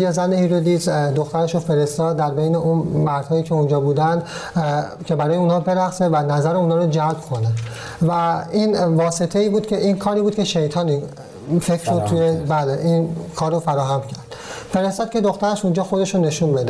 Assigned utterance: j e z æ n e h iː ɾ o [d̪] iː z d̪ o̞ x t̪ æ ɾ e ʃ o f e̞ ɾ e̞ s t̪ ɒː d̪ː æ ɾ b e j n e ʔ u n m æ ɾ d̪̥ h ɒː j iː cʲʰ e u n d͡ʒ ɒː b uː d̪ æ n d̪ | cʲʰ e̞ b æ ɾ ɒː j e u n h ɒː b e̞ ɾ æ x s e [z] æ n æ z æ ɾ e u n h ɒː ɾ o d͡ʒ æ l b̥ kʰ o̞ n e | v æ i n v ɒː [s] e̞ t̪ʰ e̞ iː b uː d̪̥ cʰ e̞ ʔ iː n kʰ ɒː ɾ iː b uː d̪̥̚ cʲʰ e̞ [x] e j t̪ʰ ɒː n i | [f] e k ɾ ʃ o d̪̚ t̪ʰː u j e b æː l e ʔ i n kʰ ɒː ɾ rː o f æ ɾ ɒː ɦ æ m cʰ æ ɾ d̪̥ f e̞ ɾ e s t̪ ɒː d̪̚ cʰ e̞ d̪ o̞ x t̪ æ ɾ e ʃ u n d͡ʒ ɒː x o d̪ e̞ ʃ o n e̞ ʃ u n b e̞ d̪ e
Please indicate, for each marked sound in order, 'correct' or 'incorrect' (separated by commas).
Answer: correct, incorrect, correct, incorrect, correct